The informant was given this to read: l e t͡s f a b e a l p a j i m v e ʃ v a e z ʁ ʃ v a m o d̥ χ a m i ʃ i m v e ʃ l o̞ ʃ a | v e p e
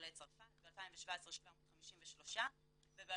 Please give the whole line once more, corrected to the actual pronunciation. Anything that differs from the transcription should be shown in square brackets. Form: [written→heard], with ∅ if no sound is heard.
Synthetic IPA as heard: l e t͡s f a b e a l p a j i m v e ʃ v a e [z→s] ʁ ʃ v a m o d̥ χ a m i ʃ i m v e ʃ l o̞ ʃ a | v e [p→b] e